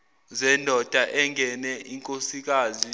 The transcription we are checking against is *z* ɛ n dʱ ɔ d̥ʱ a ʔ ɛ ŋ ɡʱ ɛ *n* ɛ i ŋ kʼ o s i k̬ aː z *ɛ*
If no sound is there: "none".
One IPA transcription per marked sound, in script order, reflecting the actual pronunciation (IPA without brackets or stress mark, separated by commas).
z, n, i